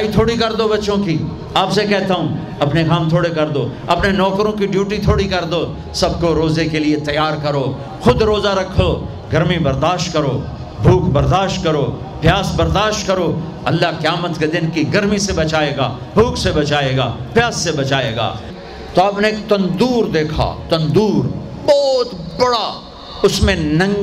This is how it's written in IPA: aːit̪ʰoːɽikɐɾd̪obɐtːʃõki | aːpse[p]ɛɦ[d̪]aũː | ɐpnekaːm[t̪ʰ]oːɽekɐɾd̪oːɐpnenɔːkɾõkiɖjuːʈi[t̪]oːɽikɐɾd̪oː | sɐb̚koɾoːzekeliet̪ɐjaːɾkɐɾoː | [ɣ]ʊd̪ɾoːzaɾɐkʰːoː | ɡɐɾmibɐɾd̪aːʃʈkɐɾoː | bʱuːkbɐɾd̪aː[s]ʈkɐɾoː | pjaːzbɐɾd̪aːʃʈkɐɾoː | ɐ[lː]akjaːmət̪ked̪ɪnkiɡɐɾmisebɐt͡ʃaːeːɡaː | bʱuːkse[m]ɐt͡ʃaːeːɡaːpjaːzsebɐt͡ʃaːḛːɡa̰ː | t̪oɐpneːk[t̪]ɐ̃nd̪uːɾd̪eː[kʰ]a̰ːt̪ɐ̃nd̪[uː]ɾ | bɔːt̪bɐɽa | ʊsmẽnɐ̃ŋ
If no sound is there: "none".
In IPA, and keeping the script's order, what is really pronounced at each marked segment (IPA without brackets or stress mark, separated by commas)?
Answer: k, t̪, t̪ʰ, t̪ʰ, x, ʃ, lː, b, t̪, kʰ, uː